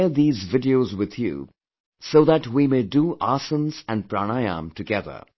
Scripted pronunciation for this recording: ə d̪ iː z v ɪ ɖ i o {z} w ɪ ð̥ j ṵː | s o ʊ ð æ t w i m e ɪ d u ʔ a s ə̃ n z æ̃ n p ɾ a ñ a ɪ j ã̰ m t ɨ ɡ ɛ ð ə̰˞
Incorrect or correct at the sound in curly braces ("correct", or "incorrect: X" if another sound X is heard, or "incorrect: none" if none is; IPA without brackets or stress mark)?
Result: correct